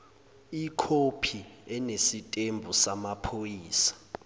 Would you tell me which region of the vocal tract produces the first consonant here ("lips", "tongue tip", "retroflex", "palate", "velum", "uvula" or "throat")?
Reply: velum